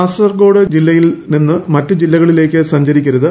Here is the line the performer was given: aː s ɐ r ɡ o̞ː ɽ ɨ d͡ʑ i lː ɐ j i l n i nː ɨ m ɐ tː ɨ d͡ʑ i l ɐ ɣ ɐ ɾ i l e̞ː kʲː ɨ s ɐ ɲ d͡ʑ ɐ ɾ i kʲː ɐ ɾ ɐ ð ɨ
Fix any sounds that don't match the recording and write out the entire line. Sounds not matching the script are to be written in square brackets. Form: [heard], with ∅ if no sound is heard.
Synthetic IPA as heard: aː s ɐ r ɡ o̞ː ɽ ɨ d͡ʑ i lː ɐ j i l n i nː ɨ m ɐ tː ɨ d͡ʑ i [lː] ɐ ɣ ɐ [ɭ] i l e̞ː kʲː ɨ s ɐ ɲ d͡ʑ ɐ ɾ i kʲː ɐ ɾ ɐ ð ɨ